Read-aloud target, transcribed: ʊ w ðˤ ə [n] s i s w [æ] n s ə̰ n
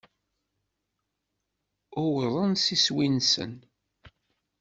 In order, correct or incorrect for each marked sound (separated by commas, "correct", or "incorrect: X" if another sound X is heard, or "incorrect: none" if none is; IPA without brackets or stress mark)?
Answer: correct, incorrect: i